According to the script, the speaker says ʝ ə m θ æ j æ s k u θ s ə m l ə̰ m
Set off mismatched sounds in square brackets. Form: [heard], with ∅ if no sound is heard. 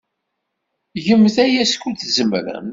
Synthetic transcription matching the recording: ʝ ə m θ æ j æ s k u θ [z] ə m [ɾ] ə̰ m